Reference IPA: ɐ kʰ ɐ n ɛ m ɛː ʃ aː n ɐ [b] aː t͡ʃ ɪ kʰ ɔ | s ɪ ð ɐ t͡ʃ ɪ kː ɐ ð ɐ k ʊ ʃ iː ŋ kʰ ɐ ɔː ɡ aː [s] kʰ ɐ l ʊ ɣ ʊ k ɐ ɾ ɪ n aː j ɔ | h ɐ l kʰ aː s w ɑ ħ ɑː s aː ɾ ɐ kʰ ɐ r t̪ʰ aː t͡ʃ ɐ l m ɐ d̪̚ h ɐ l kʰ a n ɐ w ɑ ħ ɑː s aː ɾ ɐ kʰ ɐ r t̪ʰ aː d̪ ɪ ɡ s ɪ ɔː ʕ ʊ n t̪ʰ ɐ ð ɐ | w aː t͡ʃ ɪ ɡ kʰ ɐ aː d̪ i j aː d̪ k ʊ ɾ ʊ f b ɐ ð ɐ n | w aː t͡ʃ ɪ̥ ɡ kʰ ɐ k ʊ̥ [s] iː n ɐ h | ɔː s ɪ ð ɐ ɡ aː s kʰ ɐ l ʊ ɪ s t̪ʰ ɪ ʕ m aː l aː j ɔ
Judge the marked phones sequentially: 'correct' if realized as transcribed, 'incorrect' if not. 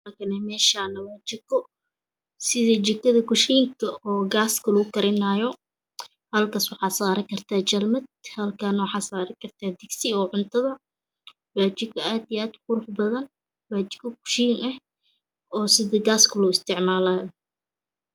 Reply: incorrect, correct, incorrect

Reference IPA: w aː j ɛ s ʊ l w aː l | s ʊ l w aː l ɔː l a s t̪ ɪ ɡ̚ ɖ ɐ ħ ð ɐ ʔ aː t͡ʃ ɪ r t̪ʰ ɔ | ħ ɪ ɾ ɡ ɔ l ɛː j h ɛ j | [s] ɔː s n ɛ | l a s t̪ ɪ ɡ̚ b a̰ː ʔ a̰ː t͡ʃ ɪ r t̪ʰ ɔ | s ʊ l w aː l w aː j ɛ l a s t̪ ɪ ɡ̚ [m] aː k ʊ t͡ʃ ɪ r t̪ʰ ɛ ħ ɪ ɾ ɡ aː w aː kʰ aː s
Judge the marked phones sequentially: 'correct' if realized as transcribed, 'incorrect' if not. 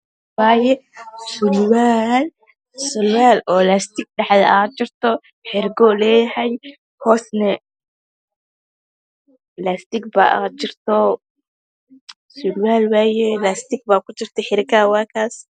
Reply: incorrect, incorrect

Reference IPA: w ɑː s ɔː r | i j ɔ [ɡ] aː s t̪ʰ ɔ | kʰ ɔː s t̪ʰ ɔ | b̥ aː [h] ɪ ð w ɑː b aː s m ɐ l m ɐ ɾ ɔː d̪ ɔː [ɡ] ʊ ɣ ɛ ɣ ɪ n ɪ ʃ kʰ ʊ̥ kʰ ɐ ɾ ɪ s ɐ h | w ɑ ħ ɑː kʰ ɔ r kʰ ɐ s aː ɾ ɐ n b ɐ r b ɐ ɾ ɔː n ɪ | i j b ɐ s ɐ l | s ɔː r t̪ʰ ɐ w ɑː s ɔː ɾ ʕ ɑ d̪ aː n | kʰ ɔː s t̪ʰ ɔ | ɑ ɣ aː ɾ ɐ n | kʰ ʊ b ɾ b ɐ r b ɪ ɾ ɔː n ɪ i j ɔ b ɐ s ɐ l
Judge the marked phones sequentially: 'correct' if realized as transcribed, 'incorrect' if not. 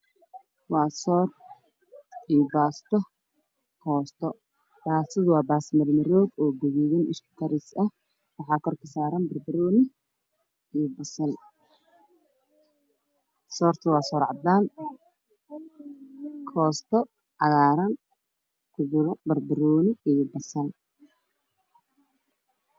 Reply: incorrect, incorrect, correct

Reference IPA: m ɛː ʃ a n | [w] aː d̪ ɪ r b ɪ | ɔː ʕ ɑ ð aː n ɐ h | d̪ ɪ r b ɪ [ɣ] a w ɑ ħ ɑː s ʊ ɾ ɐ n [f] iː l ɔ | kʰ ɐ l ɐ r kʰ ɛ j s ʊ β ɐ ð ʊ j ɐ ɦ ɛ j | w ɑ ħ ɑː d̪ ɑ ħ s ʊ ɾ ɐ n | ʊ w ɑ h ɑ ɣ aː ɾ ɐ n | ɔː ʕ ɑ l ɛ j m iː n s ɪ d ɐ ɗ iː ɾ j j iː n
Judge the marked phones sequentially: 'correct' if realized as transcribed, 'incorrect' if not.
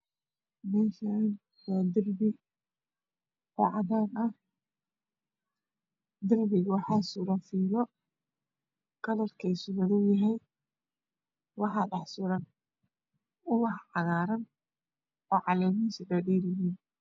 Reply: correct, correct, correct

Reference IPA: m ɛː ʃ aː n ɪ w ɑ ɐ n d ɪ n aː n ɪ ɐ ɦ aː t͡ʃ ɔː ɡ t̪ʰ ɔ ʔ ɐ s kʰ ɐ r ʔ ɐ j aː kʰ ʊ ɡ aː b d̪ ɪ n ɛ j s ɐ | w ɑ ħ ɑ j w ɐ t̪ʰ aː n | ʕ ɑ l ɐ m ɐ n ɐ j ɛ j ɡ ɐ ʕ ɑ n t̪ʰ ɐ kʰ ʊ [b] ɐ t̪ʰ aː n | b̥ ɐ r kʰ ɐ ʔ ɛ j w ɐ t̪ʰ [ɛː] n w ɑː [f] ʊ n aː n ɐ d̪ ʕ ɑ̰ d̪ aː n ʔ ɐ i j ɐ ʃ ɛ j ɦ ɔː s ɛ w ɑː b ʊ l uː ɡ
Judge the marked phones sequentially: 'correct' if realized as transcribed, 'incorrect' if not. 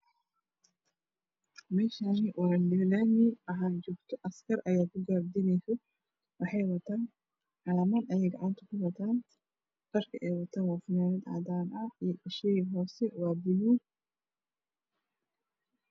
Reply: incorrect, incorrect, correct

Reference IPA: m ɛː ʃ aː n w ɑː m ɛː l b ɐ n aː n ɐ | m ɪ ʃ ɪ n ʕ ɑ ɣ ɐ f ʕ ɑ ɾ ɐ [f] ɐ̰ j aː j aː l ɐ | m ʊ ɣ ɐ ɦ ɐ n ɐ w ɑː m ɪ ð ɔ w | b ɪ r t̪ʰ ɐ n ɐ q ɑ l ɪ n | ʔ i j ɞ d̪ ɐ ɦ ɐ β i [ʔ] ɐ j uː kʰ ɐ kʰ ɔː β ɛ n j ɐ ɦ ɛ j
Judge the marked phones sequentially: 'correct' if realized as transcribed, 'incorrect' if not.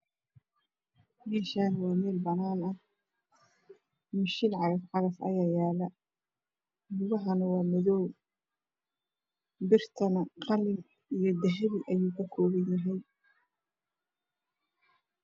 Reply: correct, correct

